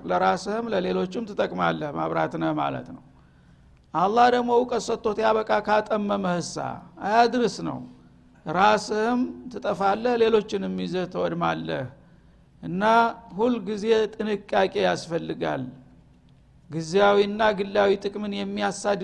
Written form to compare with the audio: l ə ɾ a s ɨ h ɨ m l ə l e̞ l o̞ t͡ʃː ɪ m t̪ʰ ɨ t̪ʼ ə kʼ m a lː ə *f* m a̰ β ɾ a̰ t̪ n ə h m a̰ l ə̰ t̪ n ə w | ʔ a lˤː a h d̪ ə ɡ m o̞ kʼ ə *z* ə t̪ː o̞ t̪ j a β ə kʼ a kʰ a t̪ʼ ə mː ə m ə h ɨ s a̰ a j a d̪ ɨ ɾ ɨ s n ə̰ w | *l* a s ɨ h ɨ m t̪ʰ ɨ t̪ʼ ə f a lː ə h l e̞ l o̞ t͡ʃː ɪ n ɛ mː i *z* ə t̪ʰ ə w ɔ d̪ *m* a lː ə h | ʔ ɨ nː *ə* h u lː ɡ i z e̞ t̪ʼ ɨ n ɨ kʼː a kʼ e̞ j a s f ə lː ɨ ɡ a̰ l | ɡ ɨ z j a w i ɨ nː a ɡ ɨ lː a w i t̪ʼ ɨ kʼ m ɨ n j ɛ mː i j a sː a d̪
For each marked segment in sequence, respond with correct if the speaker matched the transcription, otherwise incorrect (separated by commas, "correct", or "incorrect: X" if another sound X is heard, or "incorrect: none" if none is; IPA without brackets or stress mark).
incorrect: h, incorrect: s, incorrect: ɾ, correct, correct, incorrect: a